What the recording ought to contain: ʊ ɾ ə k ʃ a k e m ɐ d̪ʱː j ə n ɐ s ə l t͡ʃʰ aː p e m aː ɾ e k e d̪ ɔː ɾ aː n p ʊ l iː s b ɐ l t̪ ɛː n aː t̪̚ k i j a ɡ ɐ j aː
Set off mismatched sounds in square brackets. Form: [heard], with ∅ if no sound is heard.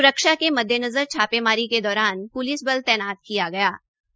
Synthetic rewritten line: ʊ ɾ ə k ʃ a k e m ɐ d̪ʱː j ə n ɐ [z] ə [ɾ] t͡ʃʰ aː p e m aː ɾ [i] k e d̪ ɔː ɾ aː n p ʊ l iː s b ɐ l t̪ ɛː n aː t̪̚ k i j a ɡ ɐ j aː